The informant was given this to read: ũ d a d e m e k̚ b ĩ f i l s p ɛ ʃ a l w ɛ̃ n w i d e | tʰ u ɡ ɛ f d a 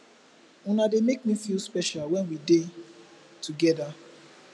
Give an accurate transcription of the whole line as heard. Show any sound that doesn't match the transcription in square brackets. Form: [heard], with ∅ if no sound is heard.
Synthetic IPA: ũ [n] a d e m e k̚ [m] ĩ f i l s p ɛ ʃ a l w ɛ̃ n w i d e | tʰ u ɡ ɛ [∅] d a